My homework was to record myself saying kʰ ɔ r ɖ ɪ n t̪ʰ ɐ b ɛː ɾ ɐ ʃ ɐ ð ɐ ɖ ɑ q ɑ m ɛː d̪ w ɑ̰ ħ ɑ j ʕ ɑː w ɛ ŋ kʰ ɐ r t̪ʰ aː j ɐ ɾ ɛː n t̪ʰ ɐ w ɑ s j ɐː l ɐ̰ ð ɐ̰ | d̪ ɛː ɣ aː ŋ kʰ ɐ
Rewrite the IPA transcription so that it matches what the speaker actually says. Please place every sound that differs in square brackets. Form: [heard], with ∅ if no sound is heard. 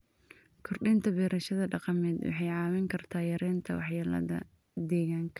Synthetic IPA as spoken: kʰ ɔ r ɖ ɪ n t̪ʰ ɐ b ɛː ɾ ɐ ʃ ɐ ð ɐ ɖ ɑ q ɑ m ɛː d̪ w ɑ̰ ħ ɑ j ʕ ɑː w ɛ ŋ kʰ ɐ r t̪ʰ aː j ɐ ɾ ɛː n t̪ʰ ɐ w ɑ [ħ] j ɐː l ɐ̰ ð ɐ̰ | d̪ ɛː ɣ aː ŋ kʰ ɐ